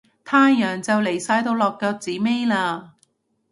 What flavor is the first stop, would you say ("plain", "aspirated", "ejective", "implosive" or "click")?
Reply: aspirated